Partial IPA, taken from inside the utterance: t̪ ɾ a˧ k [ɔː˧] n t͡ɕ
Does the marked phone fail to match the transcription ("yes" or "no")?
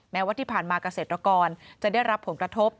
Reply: no